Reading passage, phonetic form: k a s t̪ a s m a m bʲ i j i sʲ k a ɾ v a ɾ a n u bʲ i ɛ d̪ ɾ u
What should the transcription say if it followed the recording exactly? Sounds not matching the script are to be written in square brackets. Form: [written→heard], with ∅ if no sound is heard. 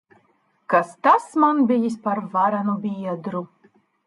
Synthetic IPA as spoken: k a s t̪ a s m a [m→n] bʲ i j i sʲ [k→p] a ɾ v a ɾ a n u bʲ i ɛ d̪ ɾ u

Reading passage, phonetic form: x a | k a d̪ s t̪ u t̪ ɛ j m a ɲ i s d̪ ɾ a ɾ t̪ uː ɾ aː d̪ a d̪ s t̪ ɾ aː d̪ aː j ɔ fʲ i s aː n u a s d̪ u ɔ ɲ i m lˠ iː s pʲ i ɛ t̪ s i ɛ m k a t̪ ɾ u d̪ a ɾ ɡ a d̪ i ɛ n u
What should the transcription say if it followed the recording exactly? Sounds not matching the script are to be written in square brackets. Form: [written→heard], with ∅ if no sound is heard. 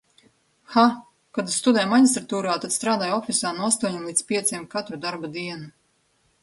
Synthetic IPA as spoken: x a | k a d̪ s t̪ u [t̪→d̪] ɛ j m a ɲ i s [d̪→t̪] ɾ a [ɾ→∅] t̪ uː ɾ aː [d̪→t̪] a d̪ s t̪ ɾ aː d̪ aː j ɔ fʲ i s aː n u a s [d̪→t̪] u ɔ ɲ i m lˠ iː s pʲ i ɛ t̪ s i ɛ m k a t̪ ɾ u d̪ a ɾ [ɡ→b] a d̪ i ɛ n u

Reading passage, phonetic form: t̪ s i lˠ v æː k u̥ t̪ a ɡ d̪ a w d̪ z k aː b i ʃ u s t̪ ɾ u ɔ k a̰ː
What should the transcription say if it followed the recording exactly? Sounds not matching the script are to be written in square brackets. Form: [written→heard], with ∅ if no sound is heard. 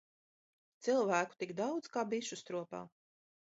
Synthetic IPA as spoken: t̪ s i lˠ v æː k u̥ t̪ [a→i] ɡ d̪ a w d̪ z k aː b i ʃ u s t̪ ɾ u ɔ [k→p] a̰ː

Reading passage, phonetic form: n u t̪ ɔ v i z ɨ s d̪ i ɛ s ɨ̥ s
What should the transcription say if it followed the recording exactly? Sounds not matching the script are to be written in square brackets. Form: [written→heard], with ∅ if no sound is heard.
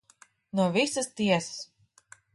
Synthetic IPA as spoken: n u [t̪→∅] ɔ v i [z→s] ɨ s [d̪→t̪] i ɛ s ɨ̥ s

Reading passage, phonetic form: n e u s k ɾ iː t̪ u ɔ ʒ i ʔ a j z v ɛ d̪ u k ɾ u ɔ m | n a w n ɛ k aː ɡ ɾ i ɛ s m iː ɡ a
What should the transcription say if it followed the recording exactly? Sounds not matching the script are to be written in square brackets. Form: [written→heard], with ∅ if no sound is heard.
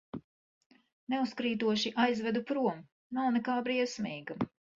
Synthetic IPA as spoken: n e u s k ɾ iː t̪ u ɔ [ʒ→ʃ] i ʔ a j z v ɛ d̪ u [k→p] ɾ u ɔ m | n a w n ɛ k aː [ɡ→b] ɾ i ɛ s m iː ɡ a

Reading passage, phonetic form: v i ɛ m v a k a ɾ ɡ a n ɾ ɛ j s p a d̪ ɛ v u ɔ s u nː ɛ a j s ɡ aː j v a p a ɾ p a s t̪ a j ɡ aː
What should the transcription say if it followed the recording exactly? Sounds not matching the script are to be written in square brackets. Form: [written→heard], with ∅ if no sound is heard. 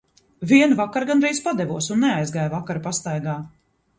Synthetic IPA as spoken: v i ɛ [m→n] v a k a ɾ ɡ a n ɾ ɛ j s p a d̪ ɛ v u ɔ s u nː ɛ a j [s→z] ɡ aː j v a [p→k] a ɾ p a s t̪ a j ɡ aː

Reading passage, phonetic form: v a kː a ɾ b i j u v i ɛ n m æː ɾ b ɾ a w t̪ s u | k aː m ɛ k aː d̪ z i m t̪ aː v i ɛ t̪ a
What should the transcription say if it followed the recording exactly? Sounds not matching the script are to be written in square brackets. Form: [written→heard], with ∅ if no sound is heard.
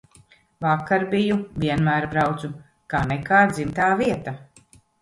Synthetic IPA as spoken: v a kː a ɾ b i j u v i ɛ n m æː ɾ b ɾ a w t̪ s u | k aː [m→n] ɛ k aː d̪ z i m t̪ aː v i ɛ t̪ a

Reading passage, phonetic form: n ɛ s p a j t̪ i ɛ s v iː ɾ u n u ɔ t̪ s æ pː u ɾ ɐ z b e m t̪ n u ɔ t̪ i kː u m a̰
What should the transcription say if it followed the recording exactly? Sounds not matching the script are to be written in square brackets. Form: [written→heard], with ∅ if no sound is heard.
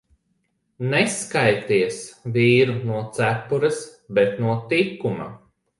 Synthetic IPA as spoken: n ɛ s [p→k] a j t̪ i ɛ s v iː ɾ u n u ɔ t̪ s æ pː u ɾ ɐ [z→s] b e [m→∅] t̪ n u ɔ t̪ i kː u m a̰

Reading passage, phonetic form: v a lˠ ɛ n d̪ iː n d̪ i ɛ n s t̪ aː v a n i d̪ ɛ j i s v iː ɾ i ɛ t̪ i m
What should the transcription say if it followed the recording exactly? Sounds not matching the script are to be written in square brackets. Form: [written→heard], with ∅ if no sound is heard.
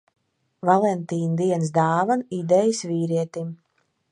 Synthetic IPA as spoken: v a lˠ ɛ n [d̪→t̪] iː n d̪ i ɛ n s [t̪→d̪] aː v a n i d̪ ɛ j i s v iː ɾ i ɛ t̪ i m

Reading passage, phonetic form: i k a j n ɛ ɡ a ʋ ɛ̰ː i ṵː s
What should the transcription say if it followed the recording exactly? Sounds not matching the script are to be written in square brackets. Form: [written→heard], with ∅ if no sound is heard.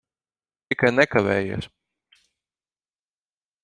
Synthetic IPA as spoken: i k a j n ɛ [ɡ→k] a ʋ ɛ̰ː [i→j] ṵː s

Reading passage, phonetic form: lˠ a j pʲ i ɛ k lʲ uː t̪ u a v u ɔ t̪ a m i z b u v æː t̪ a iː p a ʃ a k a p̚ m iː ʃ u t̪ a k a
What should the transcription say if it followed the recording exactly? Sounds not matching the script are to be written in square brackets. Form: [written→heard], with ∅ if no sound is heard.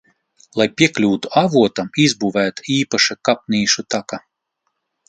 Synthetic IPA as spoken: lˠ a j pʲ i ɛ k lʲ uː t̪ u a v u ɔ t̪ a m i z b u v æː t̪ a iː p a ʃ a k a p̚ [m→n] iː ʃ u t̪ a k a

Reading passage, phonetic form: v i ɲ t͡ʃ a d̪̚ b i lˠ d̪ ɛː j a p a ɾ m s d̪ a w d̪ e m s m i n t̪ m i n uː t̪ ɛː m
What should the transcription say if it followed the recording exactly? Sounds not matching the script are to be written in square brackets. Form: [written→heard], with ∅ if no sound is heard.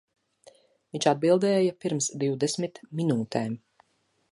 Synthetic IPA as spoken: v i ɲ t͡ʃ a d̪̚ b i lˠ d̪ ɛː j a p [a→i] ɾ m s d̪ [a→i] w d̪ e [m→∅] s m i [n→∅] t̪ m i n uː t̪ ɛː m

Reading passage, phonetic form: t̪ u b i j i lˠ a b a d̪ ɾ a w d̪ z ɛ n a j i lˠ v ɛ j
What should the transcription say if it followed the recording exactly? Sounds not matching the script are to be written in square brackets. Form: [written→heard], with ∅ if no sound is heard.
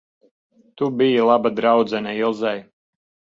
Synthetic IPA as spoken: t̪ u b i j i lˠ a b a d̪ ɾ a w d̪ z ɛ n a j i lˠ [v→z] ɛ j

